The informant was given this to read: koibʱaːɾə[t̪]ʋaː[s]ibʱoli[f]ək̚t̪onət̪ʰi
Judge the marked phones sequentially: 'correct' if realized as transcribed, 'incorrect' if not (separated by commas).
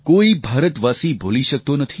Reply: correct, correct, incorrect